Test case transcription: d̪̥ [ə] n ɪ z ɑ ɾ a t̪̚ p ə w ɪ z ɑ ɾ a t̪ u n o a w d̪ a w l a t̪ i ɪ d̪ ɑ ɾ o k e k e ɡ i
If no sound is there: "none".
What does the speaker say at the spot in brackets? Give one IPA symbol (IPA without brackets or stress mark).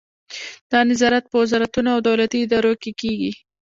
ɑ